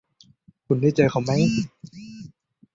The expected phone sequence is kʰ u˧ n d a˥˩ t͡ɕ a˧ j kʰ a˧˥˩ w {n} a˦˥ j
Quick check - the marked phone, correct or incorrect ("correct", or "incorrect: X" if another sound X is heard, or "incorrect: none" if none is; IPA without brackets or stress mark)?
incorrect: m